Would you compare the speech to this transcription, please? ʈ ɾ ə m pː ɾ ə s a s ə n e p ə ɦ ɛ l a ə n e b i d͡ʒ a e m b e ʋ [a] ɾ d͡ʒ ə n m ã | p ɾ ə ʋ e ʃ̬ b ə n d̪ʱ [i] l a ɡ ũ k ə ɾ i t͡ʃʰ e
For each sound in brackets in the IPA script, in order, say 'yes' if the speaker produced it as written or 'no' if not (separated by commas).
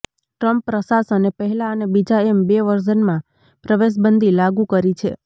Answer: no, yes